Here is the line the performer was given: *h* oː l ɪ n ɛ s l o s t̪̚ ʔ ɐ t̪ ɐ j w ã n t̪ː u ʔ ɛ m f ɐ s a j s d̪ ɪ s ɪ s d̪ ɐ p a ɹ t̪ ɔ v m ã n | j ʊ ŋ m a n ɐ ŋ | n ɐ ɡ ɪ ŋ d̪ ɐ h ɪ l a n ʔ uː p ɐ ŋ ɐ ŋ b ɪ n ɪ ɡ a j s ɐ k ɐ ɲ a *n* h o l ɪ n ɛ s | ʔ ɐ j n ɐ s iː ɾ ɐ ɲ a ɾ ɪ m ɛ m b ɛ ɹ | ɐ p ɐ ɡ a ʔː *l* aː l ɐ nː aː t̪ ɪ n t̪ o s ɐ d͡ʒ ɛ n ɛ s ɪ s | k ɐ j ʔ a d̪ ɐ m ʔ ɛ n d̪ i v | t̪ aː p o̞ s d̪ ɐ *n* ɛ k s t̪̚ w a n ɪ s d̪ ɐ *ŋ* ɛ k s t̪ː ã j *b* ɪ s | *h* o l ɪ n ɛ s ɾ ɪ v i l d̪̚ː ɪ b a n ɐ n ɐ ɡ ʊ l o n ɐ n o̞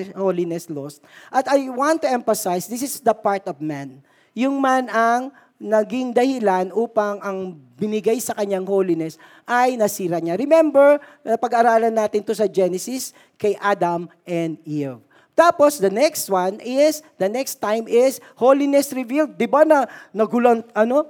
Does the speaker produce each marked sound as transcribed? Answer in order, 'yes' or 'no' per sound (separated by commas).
yes, no, no, yes, no, no, yes